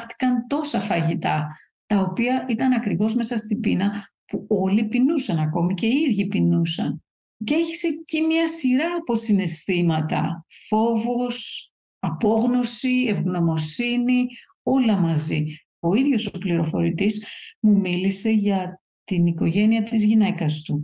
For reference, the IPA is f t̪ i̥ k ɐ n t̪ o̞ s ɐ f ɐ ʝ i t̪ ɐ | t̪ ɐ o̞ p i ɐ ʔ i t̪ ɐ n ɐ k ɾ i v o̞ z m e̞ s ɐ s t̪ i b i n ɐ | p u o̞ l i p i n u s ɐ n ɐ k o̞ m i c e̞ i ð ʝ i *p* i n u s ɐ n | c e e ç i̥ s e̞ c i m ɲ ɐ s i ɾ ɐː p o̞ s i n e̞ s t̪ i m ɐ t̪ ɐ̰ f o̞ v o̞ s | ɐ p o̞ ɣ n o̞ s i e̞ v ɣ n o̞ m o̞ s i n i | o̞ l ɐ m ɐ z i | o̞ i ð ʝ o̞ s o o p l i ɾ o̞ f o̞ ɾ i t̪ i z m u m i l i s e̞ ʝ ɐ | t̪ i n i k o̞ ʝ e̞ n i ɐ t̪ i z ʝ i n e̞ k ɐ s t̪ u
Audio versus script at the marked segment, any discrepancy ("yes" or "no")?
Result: no